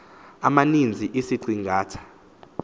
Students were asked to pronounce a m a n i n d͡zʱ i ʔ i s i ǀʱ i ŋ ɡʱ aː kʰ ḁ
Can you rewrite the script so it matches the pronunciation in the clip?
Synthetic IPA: a m a n i n d͡zʱ i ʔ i s i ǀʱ i ŋ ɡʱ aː tʰ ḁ